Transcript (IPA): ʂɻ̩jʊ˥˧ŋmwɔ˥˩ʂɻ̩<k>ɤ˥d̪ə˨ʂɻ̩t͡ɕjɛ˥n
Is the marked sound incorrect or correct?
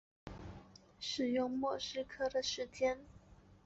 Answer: incorrect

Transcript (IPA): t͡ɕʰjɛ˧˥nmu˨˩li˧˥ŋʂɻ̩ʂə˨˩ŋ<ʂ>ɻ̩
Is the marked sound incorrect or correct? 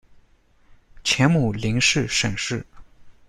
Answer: correct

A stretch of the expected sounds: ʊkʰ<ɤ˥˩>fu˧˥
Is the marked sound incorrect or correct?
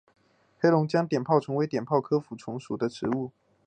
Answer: incorrect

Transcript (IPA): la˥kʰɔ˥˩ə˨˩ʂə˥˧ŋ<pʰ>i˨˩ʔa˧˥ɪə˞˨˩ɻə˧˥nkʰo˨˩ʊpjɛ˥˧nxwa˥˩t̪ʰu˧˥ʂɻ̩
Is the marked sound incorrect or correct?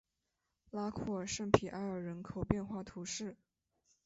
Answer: correct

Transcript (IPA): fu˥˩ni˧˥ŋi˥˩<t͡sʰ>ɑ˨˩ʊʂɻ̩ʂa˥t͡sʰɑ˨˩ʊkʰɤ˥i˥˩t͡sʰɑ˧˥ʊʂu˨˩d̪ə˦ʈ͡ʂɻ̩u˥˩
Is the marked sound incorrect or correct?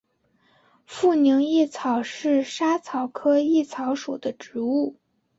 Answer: correct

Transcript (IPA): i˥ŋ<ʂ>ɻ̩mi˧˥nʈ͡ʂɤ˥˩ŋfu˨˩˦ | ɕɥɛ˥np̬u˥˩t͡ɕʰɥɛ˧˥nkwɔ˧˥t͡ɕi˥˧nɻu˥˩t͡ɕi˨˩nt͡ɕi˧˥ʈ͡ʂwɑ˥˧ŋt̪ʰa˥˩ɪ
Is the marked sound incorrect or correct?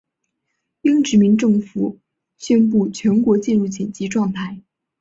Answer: incorrect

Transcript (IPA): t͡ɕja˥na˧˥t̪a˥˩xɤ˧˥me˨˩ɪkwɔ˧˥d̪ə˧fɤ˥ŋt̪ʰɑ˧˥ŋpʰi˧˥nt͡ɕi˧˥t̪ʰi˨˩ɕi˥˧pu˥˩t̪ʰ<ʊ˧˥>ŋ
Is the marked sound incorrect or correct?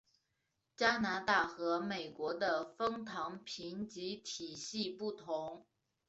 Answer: correct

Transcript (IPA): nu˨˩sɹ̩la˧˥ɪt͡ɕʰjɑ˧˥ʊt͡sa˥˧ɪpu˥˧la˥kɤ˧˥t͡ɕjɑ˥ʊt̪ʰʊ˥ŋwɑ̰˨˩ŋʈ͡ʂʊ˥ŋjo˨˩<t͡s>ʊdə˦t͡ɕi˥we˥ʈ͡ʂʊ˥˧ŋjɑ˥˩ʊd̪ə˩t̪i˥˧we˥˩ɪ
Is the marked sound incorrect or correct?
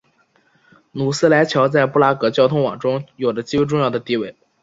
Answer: incorrect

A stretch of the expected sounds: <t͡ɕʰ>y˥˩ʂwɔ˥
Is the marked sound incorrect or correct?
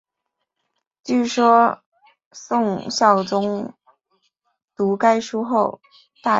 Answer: incorrect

